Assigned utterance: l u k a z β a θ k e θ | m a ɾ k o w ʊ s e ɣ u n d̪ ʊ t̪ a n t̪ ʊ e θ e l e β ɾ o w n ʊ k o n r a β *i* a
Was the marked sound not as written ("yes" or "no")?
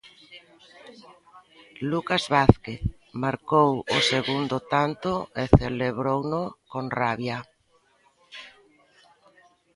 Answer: yes